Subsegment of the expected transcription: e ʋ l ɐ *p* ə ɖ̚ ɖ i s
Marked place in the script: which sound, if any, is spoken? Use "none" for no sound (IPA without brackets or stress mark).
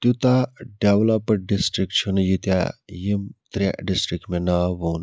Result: p